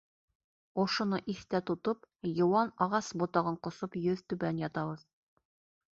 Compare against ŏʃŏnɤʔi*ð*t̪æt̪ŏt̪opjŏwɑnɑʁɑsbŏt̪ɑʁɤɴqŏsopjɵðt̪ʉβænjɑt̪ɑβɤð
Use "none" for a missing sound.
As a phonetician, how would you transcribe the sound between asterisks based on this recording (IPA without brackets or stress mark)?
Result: θ